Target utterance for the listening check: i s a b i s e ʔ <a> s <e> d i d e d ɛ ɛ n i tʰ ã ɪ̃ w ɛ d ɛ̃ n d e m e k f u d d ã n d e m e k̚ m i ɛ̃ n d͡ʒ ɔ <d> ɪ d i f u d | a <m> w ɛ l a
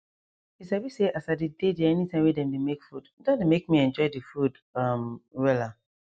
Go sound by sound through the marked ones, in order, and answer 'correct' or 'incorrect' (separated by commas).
correct, incorrect, incorrect, correct